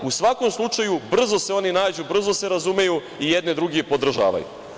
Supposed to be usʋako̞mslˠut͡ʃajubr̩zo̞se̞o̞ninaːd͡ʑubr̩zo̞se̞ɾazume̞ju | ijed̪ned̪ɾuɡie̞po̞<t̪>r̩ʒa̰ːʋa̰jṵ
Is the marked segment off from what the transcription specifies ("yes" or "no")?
yes